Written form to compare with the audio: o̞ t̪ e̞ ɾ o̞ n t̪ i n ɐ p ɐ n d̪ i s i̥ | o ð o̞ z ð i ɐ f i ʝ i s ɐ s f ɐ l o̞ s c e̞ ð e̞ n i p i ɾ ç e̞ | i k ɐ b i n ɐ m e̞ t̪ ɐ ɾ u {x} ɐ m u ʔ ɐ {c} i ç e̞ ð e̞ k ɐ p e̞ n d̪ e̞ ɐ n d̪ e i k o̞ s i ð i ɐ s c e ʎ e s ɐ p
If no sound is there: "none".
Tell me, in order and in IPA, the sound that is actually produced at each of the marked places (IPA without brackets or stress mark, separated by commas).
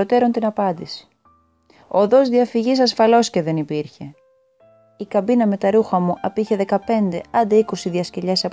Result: x, p